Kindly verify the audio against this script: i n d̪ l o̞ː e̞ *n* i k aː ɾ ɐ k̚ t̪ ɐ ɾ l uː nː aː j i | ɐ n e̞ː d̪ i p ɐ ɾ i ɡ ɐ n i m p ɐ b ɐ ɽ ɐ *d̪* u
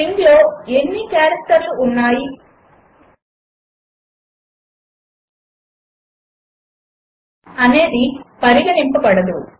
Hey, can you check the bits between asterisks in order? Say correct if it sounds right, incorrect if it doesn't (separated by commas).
incorrect, correct